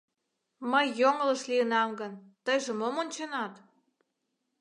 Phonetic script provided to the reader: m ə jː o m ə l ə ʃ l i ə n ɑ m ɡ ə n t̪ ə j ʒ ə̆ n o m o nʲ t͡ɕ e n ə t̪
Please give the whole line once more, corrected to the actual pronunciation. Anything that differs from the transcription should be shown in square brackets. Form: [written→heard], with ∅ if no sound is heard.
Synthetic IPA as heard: m ə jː o [m→ŋ] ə l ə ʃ l i ə n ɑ m ɡ ə n t̪ ə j ʒ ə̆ [n→m] o m o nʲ t͡ɕ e n [ə→ɑ] t̪